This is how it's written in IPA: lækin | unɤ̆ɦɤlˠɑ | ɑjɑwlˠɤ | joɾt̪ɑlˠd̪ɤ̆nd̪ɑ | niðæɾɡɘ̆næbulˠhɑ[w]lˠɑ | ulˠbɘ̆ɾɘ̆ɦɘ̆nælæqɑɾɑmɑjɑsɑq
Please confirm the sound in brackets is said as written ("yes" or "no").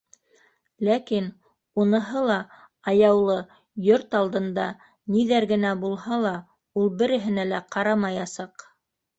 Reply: no